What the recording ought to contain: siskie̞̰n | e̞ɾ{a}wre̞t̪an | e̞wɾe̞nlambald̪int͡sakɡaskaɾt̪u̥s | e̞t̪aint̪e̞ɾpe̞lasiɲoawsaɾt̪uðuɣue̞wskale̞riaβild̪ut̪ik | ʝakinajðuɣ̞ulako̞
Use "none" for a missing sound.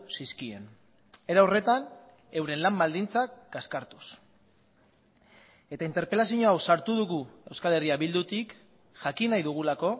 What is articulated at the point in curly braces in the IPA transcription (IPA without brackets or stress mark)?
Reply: a